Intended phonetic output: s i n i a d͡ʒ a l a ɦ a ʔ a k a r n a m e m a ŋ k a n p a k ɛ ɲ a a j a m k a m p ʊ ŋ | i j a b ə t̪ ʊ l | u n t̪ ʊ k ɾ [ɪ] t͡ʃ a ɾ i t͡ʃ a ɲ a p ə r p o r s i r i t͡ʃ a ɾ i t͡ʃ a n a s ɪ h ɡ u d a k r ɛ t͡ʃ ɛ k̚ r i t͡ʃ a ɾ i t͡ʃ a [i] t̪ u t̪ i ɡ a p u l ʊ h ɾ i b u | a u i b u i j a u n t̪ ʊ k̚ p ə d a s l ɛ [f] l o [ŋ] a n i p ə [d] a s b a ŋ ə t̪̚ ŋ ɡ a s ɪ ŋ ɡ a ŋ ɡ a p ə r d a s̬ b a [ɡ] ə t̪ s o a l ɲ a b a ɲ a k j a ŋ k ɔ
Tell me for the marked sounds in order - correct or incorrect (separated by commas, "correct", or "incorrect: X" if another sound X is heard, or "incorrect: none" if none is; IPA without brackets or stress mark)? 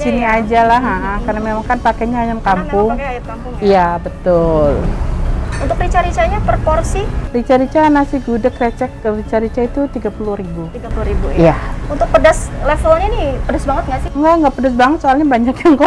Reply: incorrect: i, correct, correct, incorrect: ɲ, correct, incorrect: ŋ